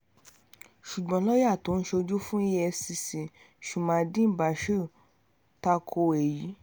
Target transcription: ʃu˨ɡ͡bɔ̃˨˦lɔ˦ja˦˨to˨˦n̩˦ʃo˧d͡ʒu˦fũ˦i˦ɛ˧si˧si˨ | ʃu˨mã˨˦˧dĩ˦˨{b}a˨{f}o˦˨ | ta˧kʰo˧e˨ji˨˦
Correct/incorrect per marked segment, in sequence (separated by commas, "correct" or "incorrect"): correct, incorrect